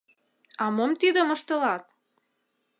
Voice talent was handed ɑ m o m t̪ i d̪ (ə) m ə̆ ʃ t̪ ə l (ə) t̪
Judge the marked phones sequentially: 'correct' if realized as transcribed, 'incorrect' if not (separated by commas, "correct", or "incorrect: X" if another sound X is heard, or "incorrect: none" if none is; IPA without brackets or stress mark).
correct, incorrect: ɑ